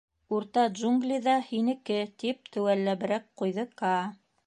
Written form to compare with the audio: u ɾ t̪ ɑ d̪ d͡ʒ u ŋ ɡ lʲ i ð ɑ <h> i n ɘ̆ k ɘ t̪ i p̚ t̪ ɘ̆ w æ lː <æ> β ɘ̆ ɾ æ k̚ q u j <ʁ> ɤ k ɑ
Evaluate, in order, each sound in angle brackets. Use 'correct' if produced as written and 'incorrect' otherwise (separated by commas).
correct, correct, incorrect